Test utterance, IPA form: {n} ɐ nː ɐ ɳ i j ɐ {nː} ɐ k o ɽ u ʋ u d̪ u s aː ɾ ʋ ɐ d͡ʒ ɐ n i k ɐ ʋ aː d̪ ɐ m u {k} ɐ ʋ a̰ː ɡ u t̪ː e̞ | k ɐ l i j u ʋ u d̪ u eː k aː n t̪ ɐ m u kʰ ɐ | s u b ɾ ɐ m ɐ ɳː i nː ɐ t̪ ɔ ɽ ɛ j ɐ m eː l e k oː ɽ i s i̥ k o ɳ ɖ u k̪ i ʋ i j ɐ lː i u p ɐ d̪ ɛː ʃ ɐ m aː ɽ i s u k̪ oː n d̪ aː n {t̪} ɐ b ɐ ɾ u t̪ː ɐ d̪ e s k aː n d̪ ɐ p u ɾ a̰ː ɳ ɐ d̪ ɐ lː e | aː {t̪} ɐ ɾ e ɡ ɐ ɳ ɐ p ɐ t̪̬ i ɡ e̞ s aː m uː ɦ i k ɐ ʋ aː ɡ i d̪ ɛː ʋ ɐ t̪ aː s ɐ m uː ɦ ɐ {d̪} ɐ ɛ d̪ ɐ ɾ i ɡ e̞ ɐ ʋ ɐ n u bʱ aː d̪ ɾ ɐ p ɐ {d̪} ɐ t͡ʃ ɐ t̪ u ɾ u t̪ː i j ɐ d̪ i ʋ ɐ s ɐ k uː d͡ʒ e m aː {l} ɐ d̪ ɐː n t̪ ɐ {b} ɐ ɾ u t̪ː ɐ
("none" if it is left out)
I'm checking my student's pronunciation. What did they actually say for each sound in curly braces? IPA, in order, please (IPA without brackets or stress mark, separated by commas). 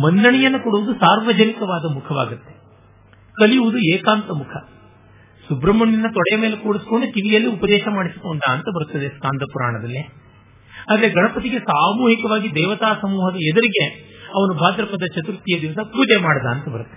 m, nː, kʰ, t̪, d̪, d̪, d̪, ɽ, b